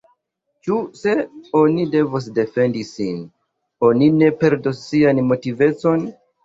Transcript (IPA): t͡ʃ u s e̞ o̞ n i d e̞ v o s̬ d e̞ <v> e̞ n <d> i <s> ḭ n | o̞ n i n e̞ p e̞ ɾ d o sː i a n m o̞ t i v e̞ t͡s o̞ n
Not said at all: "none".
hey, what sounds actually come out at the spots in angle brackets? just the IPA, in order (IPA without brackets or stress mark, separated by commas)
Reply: f, d, s